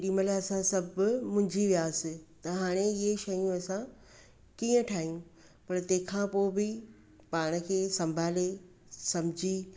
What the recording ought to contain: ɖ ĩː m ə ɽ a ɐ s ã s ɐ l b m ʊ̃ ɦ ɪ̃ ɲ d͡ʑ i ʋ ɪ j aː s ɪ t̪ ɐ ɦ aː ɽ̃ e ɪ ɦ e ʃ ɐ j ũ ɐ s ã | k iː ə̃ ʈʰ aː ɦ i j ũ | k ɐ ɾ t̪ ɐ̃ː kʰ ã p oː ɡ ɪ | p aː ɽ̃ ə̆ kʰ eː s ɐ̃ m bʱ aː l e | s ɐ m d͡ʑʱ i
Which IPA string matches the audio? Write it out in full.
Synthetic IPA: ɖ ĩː m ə l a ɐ s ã s ɐ b m ʊ̃ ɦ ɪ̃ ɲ d͡ʑ i ʋ i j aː s ɪ t̪ ɐ ɦ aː ɽ̃ e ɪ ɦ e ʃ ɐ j ũ ɐ s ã | k iː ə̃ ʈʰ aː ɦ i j ũ | p ɐ ɾ t̪ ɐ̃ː kʰ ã p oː b ɪ | p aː ɽ̃ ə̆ kʰ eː s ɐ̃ m bʱ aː l e | s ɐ m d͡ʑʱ i